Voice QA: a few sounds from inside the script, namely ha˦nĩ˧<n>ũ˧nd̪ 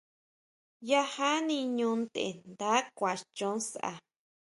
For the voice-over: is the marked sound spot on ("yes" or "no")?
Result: no